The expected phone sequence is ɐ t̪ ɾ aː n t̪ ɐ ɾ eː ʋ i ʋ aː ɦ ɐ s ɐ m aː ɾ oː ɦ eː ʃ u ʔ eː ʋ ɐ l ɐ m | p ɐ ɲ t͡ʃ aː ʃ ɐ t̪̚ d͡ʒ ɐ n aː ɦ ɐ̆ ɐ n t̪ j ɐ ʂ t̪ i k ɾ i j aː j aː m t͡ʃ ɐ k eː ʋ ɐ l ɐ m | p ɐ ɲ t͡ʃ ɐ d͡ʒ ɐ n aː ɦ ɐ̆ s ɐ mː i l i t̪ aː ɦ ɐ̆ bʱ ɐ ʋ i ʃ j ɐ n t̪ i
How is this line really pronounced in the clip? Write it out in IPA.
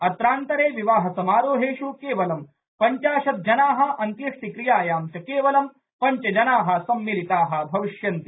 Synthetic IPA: ɐ t̪ ɾ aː n t̪ ɐ ɾ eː ʋ i ʋ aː ɦ ɐ s ɐ m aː ɾ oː ɦ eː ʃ u k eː ʋ ɐ l ɐ m | p ɐ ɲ t͡ʃ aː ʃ ɐ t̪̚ d͡ʒ ɐ n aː ɦ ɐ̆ ɐ n t̪ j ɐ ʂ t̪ i k ɾ i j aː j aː m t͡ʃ ɐ k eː ʋ ɐ l ɐ m | p ɐ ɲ t͡ʃ ɐ d͡ʒ ɐ n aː ɦ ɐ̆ s ɐ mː i l i t̪ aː ɦ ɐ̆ bʱ ɐ ʋ i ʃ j ɐ n t̪ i